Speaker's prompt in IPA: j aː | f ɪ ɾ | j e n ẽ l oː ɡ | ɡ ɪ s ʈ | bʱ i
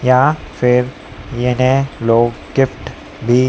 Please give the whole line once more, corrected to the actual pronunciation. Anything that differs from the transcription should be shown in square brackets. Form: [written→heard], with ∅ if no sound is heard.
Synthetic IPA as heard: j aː | f ɪ ɾ | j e n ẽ l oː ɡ | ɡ ɪ [s→f] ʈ | bʱ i